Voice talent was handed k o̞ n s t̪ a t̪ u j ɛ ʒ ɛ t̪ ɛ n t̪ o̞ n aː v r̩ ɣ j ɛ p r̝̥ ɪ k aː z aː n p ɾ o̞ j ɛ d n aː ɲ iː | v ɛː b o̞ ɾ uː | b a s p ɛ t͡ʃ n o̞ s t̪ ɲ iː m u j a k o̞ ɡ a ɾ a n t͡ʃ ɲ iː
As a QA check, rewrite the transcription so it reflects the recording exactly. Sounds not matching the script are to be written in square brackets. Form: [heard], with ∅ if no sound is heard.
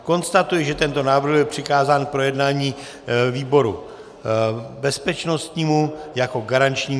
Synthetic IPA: k o̞ n s t̪ a t̪ u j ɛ ʒ ɛ t̪ ɛ n t̪ o̞ n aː v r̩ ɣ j ɛ p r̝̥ ɪ k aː z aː n p ɾ o̞ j ɛ d n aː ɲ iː | v [iː] b o̞ ɾ [u] | b [ɛ] s p ɛ t͡ʃ n o̞ s t̪ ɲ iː m u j a k o̞ ɡ a ɾ a n t͡ʃ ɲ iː